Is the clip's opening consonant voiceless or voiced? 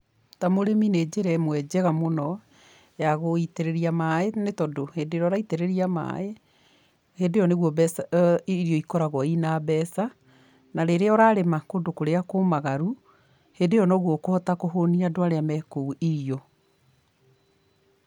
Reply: voiceless